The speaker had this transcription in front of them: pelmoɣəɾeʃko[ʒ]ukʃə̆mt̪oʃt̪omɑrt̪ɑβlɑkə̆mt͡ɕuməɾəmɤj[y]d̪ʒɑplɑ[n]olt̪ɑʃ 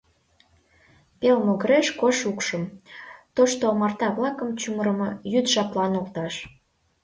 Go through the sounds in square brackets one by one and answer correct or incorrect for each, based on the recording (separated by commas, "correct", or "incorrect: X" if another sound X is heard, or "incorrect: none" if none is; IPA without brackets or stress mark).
incorrect: ʃ, correct, correct